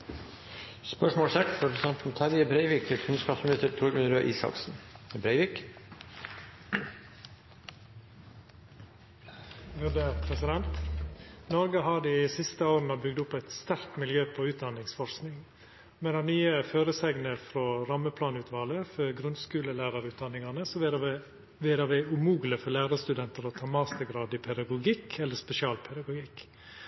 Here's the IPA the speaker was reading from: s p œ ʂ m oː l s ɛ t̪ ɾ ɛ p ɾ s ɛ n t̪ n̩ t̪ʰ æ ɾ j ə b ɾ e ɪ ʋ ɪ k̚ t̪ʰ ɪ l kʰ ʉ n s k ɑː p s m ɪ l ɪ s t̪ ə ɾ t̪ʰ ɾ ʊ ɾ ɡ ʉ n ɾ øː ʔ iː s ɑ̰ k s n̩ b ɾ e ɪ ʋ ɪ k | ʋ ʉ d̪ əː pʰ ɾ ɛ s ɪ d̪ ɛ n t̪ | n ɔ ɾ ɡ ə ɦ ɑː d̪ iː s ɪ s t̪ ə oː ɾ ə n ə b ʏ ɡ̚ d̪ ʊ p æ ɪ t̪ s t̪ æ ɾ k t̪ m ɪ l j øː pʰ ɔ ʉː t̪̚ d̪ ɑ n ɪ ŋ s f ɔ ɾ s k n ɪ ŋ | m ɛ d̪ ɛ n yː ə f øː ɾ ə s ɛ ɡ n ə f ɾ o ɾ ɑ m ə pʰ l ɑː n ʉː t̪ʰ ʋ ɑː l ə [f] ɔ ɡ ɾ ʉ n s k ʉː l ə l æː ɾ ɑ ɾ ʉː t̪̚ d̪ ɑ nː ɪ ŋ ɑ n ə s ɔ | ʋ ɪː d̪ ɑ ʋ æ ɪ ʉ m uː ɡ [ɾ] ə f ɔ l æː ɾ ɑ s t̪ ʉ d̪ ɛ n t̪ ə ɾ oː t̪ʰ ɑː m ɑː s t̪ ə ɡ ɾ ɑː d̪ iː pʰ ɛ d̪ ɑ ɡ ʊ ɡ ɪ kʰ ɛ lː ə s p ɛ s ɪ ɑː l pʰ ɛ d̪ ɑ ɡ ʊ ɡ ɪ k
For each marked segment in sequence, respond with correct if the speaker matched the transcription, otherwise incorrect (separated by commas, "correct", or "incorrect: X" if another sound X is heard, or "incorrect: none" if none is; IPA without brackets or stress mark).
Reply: correct, incorrect: l